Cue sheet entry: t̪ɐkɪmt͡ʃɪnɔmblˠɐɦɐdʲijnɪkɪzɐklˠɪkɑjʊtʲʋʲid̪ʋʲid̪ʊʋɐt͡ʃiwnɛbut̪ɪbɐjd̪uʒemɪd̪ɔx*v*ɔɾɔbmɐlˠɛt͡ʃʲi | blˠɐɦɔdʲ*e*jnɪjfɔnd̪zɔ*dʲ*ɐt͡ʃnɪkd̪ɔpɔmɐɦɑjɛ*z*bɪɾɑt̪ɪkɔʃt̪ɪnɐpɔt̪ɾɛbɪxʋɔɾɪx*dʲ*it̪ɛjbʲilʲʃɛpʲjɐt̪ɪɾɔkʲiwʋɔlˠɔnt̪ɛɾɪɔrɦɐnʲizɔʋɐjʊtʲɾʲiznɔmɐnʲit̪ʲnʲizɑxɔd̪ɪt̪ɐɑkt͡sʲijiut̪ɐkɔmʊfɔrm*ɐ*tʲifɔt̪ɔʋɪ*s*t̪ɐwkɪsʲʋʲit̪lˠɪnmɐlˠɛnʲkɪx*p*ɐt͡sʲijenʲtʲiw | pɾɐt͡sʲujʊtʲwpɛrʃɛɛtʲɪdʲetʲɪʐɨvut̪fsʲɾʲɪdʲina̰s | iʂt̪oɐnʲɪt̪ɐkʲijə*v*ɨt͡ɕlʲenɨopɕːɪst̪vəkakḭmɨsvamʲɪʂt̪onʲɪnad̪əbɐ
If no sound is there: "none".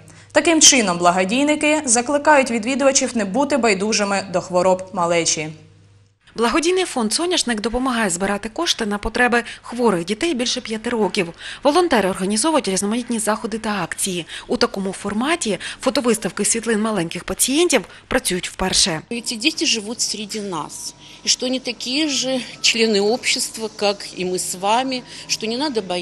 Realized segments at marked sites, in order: ʋ, i, nʲ, z, dʲ, ɑ, s, p, ʐ

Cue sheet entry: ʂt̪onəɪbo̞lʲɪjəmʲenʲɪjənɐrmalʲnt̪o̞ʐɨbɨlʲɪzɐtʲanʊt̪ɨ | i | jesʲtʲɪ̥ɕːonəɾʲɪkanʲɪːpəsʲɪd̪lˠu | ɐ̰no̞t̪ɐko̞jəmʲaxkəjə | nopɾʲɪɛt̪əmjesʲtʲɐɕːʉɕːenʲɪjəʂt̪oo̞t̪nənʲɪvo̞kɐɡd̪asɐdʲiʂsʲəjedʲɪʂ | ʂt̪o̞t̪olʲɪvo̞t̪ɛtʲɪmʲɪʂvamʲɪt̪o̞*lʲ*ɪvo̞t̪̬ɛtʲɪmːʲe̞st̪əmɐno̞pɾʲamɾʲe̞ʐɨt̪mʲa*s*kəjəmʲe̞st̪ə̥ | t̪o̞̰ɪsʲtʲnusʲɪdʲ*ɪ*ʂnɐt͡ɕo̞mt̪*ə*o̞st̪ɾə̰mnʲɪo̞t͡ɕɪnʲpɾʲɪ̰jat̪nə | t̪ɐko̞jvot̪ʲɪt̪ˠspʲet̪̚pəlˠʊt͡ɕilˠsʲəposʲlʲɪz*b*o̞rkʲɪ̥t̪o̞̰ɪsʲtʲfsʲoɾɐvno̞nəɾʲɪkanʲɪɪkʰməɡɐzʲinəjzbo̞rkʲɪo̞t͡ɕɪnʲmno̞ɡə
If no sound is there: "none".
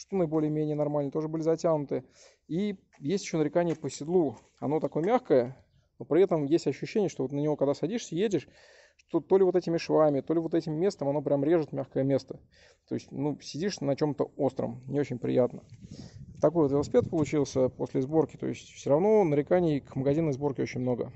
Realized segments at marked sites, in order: lʲ, x, i, ə, b

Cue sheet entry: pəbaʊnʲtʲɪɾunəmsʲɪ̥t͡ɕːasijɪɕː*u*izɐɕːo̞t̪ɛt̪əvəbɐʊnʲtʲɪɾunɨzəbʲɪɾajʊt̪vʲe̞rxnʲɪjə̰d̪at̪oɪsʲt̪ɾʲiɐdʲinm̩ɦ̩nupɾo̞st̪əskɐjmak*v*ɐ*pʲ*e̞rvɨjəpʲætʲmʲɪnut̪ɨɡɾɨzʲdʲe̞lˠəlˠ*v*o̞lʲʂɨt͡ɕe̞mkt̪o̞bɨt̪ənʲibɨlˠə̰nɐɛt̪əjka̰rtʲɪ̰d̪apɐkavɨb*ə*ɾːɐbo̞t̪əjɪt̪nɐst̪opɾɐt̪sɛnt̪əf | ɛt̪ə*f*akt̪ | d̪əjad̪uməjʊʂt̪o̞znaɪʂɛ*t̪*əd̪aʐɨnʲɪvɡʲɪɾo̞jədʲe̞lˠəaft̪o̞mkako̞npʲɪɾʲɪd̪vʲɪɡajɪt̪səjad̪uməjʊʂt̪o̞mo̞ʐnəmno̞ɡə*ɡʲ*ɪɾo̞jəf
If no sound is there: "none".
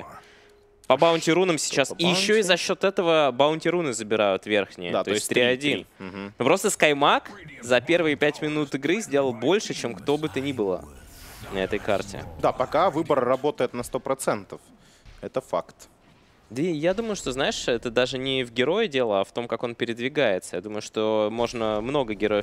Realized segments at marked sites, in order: o, z, pʲ, b, ə, f, t̪, ɡʲ

